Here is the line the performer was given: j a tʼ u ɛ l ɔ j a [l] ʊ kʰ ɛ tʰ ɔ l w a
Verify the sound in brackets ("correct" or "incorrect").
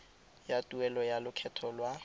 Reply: correct